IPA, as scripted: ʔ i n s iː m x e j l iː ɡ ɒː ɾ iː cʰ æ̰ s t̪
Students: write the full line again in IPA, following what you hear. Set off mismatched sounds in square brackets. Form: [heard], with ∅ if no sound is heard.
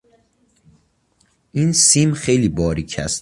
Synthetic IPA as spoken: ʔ i n s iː m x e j l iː [b] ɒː ɾ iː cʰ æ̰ s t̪